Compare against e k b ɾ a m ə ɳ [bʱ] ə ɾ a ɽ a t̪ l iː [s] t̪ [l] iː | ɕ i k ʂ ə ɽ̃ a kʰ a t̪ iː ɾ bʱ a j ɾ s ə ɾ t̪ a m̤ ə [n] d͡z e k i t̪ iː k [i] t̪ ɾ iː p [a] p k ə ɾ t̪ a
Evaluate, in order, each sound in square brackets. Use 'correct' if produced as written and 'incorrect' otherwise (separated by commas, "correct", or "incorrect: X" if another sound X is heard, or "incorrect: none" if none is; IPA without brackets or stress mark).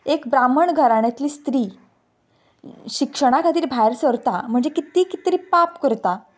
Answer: incorrect: ɡʱ, correct, incorrect: ɾ, incorrect: ɳ, correct, correct